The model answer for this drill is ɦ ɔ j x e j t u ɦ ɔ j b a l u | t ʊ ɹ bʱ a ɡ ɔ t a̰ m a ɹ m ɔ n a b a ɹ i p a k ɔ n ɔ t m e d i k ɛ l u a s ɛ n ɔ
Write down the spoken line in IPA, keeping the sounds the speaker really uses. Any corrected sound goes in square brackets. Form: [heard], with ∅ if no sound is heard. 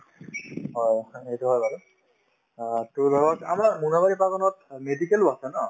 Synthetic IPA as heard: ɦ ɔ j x e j t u ɦ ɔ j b a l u | t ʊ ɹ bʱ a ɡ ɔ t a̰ m a ɹ m [u] n a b a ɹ i p a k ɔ n ɔ t m e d i k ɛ l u a s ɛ n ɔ